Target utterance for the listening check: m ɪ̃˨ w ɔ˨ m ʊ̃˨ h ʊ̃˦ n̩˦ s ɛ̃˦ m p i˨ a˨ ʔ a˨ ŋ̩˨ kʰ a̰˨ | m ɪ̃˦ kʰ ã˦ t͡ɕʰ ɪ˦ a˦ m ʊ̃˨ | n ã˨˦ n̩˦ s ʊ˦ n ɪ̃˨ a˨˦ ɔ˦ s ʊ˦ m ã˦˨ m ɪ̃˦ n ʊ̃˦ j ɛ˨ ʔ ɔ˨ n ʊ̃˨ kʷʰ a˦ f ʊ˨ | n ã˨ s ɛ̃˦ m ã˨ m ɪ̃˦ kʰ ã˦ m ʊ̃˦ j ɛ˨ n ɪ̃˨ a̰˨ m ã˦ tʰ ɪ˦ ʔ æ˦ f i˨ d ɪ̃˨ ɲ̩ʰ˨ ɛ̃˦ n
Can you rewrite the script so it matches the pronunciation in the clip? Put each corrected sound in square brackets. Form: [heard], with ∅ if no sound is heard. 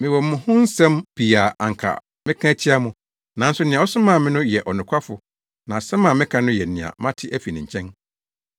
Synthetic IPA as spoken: m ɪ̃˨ w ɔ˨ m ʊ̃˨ h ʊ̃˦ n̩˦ s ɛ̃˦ m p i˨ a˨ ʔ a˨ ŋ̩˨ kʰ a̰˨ | m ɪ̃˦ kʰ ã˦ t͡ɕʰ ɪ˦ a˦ m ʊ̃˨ | n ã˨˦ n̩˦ s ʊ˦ n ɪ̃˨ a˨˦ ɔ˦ s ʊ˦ m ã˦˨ m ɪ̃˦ n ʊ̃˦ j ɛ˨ ʔ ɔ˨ n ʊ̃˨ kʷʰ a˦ f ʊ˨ | n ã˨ s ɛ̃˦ m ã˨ m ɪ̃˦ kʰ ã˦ [n] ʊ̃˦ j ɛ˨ n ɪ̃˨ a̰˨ m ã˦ tʰ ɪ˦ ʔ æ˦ f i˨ [n] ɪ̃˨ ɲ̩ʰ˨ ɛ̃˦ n